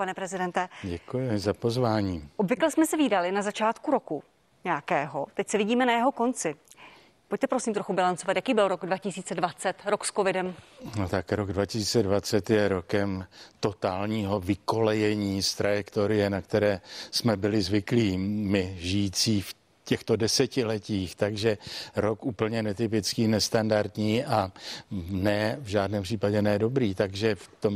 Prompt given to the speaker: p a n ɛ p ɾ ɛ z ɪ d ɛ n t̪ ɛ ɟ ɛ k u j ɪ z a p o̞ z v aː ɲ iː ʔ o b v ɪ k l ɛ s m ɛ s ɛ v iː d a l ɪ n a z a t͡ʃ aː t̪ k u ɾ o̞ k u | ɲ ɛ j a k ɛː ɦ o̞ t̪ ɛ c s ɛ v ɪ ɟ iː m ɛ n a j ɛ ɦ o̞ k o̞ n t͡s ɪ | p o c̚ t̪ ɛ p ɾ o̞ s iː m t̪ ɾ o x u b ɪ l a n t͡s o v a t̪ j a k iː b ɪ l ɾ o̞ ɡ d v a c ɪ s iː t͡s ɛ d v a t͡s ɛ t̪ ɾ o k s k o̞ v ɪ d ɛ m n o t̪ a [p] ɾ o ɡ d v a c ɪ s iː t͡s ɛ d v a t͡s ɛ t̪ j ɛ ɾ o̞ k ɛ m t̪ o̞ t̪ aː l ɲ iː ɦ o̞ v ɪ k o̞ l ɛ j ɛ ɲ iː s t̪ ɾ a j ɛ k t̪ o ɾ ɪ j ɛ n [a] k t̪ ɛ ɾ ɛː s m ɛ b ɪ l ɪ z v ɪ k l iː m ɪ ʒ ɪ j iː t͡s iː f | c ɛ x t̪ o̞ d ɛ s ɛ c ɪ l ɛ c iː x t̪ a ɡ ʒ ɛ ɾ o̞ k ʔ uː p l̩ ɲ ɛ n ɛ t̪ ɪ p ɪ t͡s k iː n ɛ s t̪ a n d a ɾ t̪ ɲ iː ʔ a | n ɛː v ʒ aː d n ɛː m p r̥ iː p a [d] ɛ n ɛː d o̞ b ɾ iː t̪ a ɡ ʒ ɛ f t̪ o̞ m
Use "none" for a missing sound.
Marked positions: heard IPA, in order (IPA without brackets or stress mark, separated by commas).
k, a, ɟ